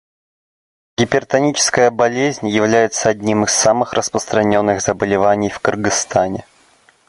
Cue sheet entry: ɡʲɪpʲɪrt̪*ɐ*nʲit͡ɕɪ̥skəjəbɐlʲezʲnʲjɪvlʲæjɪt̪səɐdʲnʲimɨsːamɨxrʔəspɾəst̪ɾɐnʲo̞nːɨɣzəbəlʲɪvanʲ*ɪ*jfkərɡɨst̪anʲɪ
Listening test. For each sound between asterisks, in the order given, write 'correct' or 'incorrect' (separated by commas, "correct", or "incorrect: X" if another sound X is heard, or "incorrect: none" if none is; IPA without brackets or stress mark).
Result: correct, correct